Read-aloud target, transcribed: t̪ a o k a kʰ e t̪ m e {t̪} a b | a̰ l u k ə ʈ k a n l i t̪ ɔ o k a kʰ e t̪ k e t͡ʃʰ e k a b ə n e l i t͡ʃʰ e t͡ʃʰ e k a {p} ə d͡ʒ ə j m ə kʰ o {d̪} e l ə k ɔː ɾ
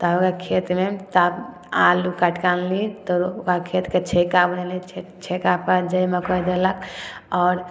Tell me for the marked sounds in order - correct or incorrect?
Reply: correct, correct, correct

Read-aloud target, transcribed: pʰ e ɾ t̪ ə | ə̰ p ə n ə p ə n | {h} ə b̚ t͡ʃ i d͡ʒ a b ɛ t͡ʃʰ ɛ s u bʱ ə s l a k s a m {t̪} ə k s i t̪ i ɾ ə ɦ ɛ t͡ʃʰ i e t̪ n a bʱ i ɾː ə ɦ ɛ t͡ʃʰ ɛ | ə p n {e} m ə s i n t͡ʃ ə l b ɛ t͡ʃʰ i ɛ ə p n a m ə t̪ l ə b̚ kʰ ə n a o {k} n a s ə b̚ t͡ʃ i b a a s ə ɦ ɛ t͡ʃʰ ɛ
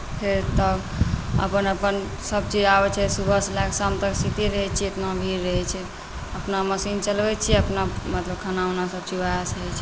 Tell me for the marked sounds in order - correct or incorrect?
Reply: incorrect: s, correct, incorrect: a, incorrect: none

